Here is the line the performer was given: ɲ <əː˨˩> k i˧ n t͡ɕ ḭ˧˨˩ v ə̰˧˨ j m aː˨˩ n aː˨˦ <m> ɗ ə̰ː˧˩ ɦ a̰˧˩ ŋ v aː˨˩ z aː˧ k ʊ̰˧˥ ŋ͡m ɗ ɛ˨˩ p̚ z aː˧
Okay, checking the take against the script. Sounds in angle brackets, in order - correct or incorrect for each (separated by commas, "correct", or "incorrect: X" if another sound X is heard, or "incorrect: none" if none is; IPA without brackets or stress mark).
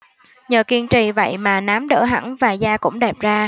correct, correct